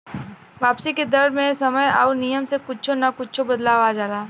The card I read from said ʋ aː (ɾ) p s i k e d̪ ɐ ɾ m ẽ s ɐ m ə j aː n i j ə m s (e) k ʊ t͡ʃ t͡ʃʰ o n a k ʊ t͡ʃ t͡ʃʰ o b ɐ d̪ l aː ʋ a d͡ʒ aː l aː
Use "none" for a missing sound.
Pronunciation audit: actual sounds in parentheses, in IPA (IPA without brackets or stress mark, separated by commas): none, e